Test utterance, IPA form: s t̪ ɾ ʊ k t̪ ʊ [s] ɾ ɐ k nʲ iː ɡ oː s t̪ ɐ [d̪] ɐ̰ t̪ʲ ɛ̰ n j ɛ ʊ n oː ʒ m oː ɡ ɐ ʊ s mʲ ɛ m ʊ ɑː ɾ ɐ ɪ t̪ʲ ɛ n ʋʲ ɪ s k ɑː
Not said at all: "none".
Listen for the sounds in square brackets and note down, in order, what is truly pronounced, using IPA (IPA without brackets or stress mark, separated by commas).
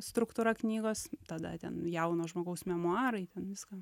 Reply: none, d̪